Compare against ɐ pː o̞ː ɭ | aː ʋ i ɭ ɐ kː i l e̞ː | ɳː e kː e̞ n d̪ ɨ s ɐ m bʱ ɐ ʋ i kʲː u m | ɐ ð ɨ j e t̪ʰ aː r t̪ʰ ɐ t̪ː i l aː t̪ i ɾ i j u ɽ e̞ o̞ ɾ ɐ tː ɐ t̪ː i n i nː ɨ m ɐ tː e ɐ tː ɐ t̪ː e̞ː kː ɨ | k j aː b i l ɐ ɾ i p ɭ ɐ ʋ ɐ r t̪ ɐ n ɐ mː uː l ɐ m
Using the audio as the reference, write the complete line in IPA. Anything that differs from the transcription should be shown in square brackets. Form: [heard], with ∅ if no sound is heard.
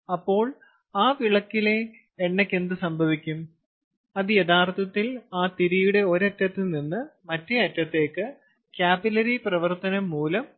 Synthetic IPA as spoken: ɐ pː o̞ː ɭ | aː ʋ i ɭ ɐ kː i l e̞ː | ɳː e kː e̞ n d̪ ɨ s ɐ m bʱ ɐ ʋ i kʲː u m | ɐ ð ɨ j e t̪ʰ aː r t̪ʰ ɐ t̪ː i l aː t̪ i ɾ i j u ɽ e̞ o̞ ɾ ɐ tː ɐ t̪ː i n i nː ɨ m ɐ tː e ɐ tː ɐ t̪ː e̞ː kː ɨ | k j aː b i l ɐ ɾ i p [r] ɐ ʋ ɐ r t̪ ɐ n ɐ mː uː l ɐ m